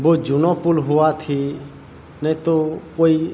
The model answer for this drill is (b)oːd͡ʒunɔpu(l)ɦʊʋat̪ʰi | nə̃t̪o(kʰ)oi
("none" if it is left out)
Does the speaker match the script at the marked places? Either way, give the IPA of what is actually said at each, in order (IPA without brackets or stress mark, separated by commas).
b, l, k